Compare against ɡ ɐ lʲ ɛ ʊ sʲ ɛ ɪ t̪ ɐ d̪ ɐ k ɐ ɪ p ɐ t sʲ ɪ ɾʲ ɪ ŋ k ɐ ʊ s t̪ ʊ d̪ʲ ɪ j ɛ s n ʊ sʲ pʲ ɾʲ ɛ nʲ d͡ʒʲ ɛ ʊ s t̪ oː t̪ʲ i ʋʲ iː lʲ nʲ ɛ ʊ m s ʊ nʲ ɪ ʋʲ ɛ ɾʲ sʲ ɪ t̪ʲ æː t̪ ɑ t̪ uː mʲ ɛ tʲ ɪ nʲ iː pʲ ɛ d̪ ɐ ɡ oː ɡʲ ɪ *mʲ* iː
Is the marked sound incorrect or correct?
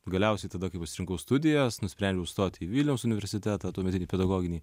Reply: incorrect